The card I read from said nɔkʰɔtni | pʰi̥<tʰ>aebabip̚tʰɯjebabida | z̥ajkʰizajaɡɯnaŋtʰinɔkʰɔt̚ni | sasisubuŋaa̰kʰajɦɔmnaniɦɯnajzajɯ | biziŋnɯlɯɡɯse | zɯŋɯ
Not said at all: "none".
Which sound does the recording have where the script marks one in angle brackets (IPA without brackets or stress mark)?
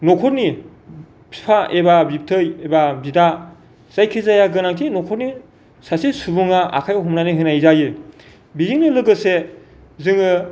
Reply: pʰ